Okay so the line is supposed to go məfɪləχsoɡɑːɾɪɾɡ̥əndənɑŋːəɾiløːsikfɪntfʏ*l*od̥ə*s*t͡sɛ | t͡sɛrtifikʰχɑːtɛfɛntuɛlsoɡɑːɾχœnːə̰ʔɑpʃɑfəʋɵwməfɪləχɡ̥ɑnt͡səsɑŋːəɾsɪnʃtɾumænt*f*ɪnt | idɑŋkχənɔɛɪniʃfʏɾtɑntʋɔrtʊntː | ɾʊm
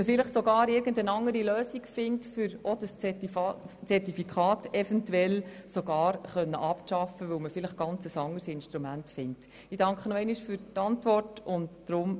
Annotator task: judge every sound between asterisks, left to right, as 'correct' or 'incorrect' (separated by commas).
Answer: incorrect, correct, correct